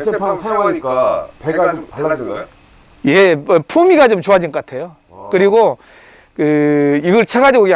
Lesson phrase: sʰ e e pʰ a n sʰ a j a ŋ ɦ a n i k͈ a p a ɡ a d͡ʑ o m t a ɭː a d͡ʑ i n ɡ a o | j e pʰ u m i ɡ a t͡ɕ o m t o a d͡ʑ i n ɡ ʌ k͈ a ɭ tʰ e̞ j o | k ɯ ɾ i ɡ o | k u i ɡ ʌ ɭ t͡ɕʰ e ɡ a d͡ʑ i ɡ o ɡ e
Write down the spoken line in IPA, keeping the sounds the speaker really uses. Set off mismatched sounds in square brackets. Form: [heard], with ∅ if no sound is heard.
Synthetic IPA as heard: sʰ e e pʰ a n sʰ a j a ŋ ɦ a [ɲ] i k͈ a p [e] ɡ a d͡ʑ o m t a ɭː a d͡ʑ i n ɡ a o | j e pʰ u m i ɡ a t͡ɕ o m [t͡ɕ] o a d͡ʑ i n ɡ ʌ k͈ a [∅] tʰ e̞ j o | k ɯ ɾ i ɡ o | k [ɯ] i ɡ ʌ ɭ t͡ɕʰ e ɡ a d͡ʑ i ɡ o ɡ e